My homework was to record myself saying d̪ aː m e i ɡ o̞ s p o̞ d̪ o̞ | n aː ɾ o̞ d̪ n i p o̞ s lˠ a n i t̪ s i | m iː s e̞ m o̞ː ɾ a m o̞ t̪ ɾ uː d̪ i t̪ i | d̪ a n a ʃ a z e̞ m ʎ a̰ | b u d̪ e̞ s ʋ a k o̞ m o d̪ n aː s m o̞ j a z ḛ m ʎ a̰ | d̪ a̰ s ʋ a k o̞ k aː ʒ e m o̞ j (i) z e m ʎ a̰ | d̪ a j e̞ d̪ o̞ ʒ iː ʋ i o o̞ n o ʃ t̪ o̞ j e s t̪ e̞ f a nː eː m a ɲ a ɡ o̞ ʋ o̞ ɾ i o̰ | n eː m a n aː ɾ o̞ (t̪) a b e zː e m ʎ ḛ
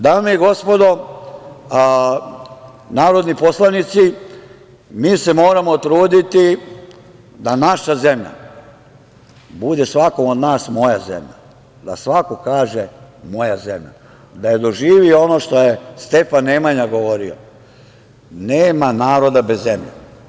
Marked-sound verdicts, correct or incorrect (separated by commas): incorrect, incorrect